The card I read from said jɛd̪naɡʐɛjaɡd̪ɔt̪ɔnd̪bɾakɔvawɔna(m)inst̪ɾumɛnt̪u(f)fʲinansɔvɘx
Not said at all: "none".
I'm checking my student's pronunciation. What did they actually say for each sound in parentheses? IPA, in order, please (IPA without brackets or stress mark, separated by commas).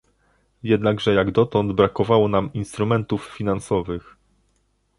m, f